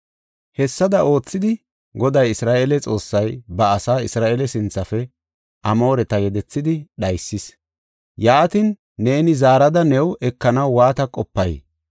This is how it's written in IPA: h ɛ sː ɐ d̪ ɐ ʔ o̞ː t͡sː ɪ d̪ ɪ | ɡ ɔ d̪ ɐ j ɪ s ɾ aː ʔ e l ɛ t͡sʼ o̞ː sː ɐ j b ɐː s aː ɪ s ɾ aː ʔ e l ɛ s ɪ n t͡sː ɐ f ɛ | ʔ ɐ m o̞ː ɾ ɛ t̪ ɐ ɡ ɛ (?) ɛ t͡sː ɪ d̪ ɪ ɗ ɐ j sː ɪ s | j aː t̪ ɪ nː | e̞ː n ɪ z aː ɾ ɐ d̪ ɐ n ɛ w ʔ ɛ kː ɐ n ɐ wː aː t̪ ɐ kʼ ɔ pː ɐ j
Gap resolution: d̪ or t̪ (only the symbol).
d̪